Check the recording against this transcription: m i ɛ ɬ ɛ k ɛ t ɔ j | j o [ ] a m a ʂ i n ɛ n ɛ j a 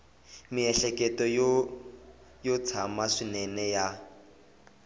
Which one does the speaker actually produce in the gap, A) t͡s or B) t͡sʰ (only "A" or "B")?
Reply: B